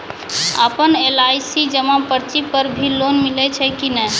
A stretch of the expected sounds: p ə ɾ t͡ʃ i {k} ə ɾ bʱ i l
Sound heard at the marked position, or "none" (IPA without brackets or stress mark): p